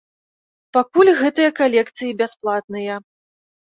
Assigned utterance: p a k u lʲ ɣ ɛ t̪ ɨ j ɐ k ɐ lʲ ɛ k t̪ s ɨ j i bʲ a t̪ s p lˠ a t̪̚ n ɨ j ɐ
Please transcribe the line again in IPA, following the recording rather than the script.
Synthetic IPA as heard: p a k u lʲ ɣ ɛ t̪ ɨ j ɐ k a lʲ ɛ k t̪ s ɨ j i bʲ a s p lˠ a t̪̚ n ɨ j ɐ

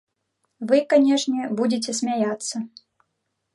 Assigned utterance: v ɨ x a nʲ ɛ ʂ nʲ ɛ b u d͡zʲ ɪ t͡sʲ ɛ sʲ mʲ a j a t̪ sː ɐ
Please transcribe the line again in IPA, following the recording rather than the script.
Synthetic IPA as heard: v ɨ k a nʲ ɛ ʂ nʲ ɛ b u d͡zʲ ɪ t͡sʲ ɛ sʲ mʲ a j a t̪ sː ɐ

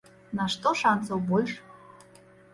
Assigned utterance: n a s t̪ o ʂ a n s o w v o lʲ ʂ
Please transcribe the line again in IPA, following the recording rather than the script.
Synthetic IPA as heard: n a ʂ t̪ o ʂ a n s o w b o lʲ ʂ

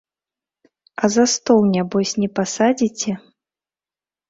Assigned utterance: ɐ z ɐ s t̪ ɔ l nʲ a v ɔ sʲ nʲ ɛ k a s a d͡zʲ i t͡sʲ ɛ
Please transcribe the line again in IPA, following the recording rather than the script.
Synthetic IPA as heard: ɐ z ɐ s t̪ ɔ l nʲ a b ɔ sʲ nʲ ɛ p a s a d͡zʲ i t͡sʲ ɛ

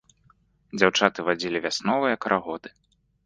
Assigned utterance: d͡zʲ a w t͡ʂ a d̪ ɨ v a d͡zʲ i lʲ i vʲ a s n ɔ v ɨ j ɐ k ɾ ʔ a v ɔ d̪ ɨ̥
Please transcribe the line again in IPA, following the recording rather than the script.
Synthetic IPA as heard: d͡zʲ a w t͡ʂ a t̪ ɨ v a d͡zʲ i lʲ i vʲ a s n ɔ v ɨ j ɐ k ɾ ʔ a ɣ ɔ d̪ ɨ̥

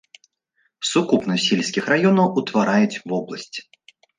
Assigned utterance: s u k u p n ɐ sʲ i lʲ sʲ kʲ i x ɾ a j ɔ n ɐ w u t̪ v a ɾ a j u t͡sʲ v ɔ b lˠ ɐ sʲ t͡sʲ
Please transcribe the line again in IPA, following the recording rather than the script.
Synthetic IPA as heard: s u k u p n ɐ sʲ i lʲ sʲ kʲ i x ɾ a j ɔ n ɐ w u t̪ v a ɾ a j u t͡sʲ v ɔ b lˠ ɐ sʲ t͡sʲ

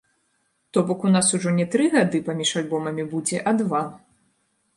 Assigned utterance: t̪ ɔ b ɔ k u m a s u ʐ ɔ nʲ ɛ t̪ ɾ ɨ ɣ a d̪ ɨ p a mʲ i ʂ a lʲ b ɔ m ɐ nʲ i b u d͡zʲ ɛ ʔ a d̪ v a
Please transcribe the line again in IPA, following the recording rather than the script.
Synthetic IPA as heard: t̪ ɔ b ɔ k u n a s u ʐ ɔ nʲ ɛ t̪ ɾ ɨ ɣ a d̪ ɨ p a mʲ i ʂ a lʲ b ɔ m ɐ mʲ i b u d͡zʲ ɛ ʔ a d̪ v a

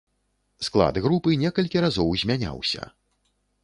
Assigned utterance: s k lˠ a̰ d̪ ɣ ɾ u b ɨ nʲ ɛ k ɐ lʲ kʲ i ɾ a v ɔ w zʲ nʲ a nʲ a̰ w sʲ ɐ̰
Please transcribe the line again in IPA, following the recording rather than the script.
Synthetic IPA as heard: s k lˠ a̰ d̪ ɣ ɾ u p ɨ nʲ ɛ k ɐ lʲ kʲ i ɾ a z ɔ w zʲ mʲ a nʲ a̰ w sʲ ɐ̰

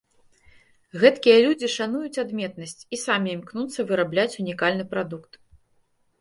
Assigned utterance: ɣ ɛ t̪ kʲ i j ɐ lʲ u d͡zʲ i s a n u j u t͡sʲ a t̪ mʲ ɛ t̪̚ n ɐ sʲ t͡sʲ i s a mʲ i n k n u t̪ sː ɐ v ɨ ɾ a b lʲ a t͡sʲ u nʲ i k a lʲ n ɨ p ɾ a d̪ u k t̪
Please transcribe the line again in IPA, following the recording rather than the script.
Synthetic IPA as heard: ɣ ɛ t̪ kʲ i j ɐ lʲ u d͡zʲ i ʂ a n u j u t͡sʲ a d̪ mʲ ɛ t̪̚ n ɐ sʲ t͡sʲ i s a mʲ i m k n u t̪ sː ɐ v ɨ ɾ a b lʲ a t͡sʲ u nʲ i k a lʲ n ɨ p ɾ a d̪ u k t̪

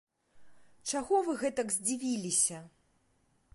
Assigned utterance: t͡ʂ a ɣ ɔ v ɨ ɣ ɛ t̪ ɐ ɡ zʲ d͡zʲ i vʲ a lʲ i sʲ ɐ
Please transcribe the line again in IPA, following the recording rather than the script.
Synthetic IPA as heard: t͡ʂ a ɣ ɔ v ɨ ɣ ɛ t̪ ɐ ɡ zʲ d͡zʲ i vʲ i lʲ i sʲ ɐ

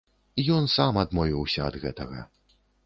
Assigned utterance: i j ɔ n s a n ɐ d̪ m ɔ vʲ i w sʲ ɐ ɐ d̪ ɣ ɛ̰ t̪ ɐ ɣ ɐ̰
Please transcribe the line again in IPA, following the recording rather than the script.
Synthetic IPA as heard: i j ɔ n s a m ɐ d̪ m ɔ vʲ i w sʲ ɐ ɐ d̪ ɣ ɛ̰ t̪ ɐ ɣ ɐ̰

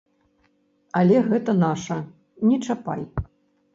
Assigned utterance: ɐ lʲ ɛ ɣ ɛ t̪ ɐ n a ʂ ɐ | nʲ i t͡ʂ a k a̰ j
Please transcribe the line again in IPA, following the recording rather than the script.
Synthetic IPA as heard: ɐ lʲ ɛ ɣ ɛ t̪ ɐ n a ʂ ɐ | nʲ ɛ t͡ʂ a p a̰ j

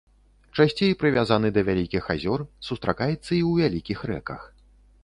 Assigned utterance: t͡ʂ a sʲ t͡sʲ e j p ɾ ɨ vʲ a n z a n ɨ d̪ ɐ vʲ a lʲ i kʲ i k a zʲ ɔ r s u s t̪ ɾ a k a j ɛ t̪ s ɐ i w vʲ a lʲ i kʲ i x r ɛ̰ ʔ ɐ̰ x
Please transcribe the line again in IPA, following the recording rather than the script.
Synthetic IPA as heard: t͡ʂ a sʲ t͡sʲ e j p ɾ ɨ vʲ a z a n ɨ d̪ ɐ vʲ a lʲ i kʲ i x a zʲ ɔ r s u s t̪ ɾ a k a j ɛ t̪ sː ɐ i w vʲ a lʲ i kʲ i x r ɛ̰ k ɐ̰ x

